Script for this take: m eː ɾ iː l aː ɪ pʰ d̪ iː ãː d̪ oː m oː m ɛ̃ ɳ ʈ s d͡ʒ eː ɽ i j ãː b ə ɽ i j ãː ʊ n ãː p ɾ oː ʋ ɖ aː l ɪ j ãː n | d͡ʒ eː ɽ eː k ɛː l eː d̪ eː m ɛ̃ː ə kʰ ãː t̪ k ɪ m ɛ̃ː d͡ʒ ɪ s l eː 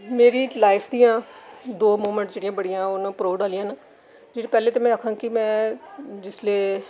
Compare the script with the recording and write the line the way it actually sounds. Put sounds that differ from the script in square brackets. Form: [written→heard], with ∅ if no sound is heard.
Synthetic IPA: m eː ɾ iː l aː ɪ pʰ d̪ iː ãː d̪ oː m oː m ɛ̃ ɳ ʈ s d͡ʒ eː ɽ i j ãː b ə ɽ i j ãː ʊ n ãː p ɾ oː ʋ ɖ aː l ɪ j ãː n | d͡ʒ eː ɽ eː [k→p] ɛː l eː [d̪→t̪] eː m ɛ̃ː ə kʰ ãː [t̪→∅] k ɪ m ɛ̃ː d͡ʒ ɪ s l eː